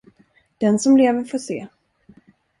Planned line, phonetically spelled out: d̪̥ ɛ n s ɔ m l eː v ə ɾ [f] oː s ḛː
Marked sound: correct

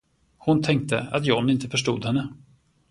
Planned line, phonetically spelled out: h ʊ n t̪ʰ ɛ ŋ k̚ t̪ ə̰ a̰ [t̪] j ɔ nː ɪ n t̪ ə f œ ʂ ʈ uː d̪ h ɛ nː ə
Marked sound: correct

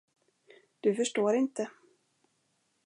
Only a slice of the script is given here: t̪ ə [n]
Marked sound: incorrect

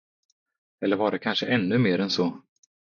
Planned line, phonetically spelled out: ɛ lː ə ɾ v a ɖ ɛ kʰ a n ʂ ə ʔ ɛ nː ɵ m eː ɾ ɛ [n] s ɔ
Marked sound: correct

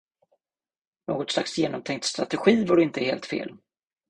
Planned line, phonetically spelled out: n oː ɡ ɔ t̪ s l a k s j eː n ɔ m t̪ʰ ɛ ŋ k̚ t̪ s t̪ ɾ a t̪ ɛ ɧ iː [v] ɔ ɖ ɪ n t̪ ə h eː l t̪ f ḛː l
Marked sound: correct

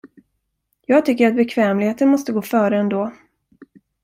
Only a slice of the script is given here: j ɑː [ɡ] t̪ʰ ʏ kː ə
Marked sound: correct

